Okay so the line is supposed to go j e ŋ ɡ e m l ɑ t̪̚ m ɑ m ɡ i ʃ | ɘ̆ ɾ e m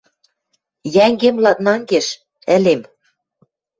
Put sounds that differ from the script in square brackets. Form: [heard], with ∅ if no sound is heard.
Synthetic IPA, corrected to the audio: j [æ] ŋ ɡ e m l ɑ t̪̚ [n] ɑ [ŋ] ɡ [e] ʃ | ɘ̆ [l] e m